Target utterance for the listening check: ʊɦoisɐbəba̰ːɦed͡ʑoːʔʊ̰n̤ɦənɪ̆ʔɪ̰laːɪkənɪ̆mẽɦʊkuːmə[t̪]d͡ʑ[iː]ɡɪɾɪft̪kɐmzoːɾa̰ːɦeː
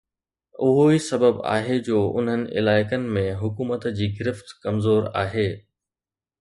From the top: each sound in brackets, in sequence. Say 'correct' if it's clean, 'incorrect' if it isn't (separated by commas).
correct, correct